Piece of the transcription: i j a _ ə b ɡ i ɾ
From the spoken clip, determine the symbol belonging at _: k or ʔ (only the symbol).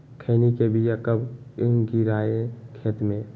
k